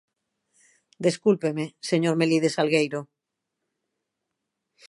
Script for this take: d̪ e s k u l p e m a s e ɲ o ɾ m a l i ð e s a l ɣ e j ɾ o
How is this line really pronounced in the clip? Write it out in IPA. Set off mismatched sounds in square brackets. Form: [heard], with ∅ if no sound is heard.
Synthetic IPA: d̪ e s k u l p e m [e] s e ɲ o ɾ m [e] l i ð e s a l ɣ e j ɾ o